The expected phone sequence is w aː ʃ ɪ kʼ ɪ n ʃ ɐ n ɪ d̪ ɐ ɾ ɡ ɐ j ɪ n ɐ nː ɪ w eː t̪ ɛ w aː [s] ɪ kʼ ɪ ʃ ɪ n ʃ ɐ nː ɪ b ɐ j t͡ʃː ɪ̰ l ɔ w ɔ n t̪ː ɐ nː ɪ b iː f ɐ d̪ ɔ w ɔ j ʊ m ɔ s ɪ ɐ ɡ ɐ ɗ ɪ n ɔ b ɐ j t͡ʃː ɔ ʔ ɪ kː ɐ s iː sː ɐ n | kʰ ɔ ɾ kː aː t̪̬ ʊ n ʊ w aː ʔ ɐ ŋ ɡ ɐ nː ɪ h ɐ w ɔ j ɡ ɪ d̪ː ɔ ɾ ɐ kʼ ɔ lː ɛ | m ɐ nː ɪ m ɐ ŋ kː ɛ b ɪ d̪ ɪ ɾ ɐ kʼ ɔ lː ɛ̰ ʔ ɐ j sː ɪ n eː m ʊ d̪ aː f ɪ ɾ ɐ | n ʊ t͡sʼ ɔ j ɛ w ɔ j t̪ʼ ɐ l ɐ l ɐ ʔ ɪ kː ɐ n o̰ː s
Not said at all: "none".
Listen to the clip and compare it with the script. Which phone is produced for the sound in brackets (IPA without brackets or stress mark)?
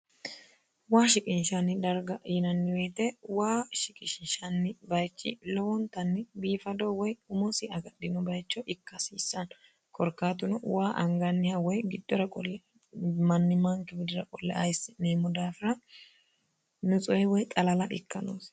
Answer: ʃ